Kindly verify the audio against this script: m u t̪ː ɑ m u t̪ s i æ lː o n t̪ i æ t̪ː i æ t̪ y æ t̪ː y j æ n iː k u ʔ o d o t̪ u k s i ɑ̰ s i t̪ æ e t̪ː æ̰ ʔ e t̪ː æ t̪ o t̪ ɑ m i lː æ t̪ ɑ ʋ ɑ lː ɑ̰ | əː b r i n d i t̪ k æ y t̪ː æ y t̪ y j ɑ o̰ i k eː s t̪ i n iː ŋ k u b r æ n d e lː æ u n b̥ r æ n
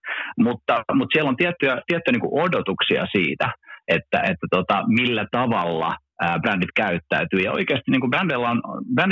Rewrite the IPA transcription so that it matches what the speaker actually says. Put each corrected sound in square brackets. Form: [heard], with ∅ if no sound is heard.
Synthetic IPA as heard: m u t̪ː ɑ m u t̪ s i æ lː o n t̪ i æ t̪ː [y] æ t̪ [i] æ t̪ː y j æ n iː k u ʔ o d o t̪ u k s i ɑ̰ s [iː] t̪ æ e t̪ː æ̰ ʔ e t̪ː æ t̪ o t̪ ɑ m i lː æ t̪ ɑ ʋ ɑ lː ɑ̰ | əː b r [æ] n d i t̪ k æ y t̪ː æ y t̪ [yː] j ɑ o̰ i k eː s t̪ i n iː ŋ k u b r æ n d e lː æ [o] n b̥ r æ n